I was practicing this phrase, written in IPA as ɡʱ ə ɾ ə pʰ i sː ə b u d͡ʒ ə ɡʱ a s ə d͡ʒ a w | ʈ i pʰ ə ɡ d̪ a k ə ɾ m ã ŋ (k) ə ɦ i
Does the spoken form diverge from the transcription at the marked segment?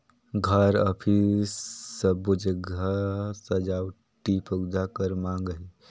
yes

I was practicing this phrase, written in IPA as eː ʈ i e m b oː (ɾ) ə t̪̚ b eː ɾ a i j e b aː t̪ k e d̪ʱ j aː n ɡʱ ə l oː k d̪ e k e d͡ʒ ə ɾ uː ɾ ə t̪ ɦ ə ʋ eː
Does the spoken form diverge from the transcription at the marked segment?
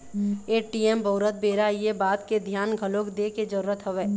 no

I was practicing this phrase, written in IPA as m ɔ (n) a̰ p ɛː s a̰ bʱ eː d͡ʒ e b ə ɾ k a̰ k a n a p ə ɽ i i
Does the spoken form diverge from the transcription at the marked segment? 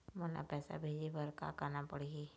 no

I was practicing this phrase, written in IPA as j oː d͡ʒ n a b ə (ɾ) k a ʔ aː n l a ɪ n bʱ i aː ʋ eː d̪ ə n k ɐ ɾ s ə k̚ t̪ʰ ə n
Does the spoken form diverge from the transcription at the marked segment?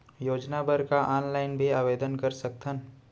no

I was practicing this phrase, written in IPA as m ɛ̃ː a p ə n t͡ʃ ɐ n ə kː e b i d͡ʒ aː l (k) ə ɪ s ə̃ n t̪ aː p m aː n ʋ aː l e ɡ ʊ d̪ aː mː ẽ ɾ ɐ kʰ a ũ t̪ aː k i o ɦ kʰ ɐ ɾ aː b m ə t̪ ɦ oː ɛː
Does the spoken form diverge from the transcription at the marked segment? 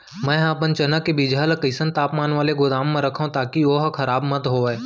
no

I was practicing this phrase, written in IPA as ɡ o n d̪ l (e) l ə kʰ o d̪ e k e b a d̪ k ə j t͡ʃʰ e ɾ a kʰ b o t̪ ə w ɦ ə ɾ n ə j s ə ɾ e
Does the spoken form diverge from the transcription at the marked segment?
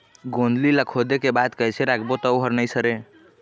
yes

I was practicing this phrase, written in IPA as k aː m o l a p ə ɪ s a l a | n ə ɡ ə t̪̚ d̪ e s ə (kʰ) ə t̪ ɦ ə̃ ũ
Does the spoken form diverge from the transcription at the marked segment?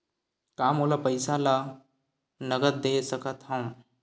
yes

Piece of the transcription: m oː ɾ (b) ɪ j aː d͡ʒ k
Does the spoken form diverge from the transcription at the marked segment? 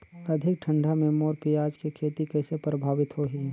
yes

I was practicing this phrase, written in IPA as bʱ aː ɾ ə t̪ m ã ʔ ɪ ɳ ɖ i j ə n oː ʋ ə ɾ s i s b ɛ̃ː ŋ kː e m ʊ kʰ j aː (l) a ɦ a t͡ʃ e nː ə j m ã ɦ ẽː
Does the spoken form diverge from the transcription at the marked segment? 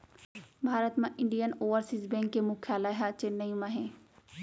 no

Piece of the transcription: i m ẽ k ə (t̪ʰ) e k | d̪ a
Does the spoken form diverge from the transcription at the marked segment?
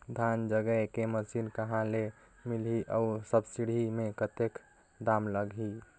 yes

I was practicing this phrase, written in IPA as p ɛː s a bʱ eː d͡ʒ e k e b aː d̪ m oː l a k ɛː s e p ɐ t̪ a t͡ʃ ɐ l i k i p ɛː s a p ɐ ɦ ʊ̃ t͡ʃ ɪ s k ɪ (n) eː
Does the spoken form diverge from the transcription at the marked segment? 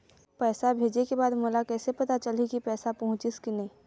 no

